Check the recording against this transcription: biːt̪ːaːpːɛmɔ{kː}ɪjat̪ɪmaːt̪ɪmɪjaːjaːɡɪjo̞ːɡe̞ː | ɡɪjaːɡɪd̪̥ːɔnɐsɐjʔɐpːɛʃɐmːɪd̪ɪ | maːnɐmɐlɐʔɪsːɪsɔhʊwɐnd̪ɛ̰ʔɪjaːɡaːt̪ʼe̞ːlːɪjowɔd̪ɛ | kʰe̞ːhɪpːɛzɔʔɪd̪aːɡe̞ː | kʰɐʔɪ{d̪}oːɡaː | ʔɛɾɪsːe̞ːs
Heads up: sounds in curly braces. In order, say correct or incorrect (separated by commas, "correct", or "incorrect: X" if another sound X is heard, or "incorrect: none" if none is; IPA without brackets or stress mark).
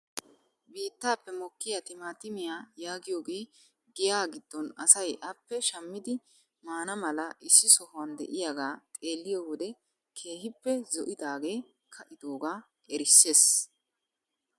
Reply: correct, correct